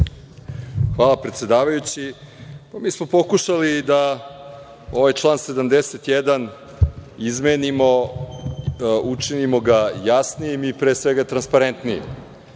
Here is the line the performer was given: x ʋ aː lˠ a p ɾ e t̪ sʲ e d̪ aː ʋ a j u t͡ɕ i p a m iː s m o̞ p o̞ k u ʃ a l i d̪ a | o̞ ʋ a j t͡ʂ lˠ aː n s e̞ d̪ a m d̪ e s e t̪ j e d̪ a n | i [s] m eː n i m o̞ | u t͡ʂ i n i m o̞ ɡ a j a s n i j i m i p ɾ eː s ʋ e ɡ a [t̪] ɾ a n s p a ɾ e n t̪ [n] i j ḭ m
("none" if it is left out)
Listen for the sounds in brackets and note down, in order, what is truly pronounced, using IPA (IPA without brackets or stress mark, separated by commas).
z, t̪, n